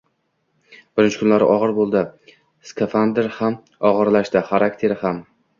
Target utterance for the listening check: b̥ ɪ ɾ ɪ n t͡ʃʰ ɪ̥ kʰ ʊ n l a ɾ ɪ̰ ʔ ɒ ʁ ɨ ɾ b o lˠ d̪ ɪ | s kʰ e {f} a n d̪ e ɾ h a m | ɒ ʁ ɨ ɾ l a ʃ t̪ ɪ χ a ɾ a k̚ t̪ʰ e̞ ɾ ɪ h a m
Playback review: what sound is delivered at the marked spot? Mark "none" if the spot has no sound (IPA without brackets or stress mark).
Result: f